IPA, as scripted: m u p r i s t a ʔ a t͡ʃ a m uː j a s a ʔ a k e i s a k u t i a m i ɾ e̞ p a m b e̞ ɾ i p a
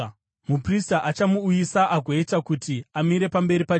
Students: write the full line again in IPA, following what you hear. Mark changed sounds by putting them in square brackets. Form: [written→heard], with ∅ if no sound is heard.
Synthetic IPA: m u p r i s t a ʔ a t͡ʃ a m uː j [a→i] s a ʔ a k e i [s→t] a k u t i a m i ɾ e̞ p a m b e̞ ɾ i p a